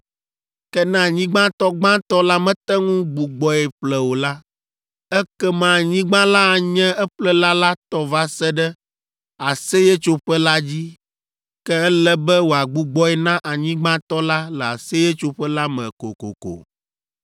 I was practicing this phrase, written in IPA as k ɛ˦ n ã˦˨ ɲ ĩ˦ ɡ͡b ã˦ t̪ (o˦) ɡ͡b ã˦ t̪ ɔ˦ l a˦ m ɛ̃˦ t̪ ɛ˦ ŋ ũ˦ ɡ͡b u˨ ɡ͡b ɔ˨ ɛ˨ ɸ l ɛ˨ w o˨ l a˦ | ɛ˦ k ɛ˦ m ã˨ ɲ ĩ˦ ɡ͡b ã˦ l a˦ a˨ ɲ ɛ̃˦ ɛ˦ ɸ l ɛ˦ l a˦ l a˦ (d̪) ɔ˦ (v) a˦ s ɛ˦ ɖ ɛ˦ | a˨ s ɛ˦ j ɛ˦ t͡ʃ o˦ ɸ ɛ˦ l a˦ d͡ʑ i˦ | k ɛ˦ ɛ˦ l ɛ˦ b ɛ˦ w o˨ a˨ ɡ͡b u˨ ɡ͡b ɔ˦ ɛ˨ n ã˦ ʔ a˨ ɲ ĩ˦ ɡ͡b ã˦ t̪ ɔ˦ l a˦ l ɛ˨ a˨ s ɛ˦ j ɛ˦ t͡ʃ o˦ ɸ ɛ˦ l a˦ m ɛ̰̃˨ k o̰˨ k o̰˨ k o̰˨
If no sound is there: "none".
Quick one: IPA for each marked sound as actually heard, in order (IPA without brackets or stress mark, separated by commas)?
ɔ˦, t̪, v